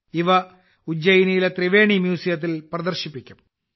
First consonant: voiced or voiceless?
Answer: voiced